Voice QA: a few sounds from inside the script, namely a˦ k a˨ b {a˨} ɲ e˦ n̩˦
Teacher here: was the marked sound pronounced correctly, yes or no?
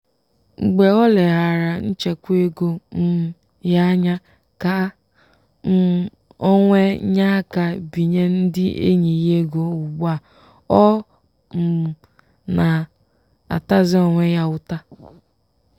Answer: no